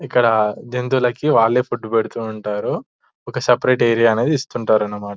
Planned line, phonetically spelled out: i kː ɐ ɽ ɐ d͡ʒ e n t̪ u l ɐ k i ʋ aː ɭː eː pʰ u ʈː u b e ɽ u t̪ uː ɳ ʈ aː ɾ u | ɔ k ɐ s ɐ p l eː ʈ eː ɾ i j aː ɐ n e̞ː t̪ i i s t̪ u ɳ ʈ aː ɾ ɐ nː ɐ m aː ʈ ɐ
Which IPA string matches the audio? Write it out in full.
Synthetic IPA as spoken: i kː ɐ ɽ ɐ d͡ʒ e n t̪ u l ɐ k i ʋ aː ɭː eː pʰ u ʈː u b e ɽ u t̪ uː ɳ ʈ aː ɾ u | ɔ k ɐ s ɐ p ɾ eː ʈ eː ɾ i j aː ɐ n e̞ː d̪ i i s t̪ u ɳ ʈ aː ɾ ɐ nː ɐ m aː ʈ ɐ